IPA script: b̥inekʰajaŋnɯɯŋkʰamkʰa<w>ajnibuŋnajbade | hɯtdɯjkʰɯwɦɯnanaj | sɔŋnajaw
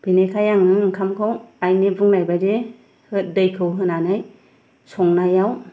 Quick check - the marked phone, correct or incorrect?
correct